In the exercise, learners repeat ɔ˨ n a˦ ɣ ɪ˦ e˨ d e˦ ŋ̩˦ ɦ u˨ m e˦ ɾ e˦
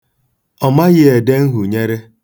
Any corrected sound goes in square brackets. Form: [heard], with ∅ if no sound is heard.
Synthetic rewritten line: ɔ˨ [m] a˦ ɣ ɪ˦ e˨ d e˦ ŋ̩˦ ɦ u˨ [ɲ] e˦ ɾ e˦

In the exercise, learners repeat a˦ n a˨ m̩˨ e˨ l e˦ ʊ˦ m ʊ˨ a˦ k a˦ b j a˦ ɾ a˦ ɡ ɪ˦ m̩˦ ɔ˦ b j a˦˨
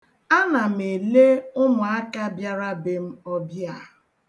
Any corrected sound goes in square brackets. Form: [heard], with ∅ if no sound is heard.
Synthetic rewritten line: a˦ n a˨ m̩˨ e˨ l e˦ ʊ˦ m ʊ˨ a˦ k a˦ b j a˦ ɾ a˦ [b] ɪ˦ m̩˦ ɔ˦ b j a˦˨

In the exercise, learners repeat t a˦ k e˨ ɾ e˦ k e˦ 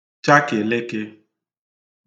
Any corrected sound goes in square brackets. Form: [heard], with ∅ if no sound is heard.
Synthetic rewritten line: [t͡ʃ] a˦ k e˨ [l] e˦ k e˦

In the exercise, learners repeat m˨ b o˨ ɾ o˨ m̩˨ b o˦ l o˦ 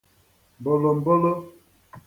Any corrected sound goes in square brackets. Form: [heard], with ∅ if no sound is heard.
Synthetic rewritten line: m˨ b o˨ [l] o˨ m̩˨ b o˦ l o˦

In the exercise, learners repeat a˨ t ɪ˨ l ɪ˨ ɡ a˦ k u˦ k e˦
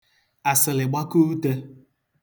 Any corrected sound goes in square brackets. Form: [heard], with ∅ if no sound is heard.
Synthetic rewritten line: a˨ [s] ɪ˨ l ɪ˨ [ɡ͡b] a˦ k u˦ [t] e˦

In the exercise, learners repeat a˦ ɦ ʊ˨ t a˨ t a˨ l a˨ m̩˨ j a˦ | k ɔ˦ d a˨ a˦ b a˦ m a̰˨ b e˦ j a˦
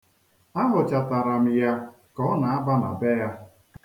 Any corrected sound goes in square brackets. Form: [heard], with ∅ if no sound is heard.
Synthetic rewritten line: a˦ ɦ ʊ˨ [t͡ʃ] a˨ t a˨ [ɾ] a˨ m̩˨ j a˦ | k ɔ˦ [n] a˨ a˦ b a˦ [n] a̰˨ b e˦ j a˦

